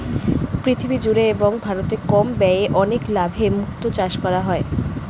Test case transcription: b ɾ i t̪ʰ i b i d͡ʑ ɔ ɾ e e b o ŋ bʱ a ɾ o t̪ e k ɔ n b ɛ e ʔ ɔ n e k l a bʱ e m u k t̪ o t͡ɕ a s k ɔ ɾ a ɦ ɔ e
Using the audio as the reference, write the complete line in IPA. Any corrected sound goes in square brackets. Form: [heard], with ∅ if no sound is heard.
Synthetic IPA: [p] ɾ i t̪ʰ i b i d͡ʑ [u] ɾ e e b o ŋ bʱ a ɾ o t̪ e k ɔ [m] b ɛ e ʔ ɔ n e k l a bʱ e m u k t̪ o t͡ɕ a [ʃ] k ɔ ɾ a ɦ ɔ e